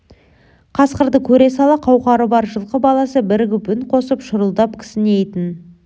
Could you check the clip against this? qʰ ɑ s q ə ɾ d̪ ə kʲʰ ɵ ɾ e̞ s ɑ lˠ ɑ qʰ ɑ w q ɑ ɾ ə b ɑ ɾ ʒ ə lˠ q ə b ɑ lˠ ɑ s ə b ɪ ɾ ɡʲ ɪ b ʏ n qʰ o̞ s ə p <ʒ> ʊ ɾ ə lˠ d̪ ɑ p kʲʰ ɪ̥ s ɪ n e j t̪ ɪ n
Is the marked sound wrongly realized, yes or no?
yes